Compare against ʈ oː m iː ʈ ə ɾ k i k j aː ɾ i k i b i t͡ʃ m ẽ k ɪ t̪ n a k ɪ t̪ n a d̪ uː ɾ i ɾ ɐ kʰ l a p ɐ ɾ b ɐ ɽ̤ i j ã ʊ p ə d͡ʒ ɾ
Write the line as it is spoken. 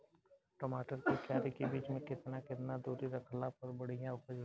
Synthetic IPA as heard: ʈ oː m aː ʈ ə ɾ k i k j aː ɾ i k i b iː t͡ʃ m ẽ k ɪ t̪ n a k ɪ t̪ n a d̪ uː ɾ i ɾ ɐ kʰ l a p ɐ ɾ b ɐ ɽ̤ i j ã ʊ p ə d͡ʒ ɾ